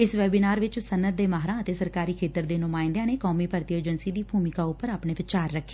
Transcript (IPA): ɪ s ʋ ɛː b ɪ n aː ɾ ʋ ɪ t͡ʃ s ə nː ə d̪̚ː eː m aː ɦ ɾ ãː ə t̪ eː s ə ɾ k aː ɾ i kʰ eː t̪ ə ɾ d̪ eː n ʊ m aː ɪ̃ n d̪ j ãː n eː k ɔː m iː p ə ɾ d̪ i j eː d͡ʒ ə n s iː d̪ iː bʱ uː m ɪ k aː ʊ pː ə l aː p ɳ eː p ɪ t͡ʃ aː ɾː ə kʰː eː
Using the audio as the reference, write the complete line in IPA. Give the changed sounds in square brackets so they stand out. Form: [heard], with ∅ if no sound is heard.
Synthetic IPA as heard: ɪ s ʋ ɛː b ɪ n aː ɾ ʋ ɪ t͡ʃ s ə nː ə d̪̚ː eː m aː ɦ ɾ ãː ə t̪ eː s ə ɾ k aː ɾ [iː] kʰ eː t̪ ə ɾ d̪ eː n ʊ m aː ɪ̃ n d̪ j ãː n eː k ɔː m iː p ə ɾ [t̪] i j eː d͡ʒ ə n s iː d̪ iː bʱ uː m ɪ k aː ʊ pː ə [ɾ] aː p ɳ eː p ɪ t͡ʃ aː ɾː ə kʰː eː